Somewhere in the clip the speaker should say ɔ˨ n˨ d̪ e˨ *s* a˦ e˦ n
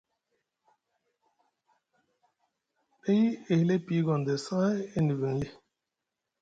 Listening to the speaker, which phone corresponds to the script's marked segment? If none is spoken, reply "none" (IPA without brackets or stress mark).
s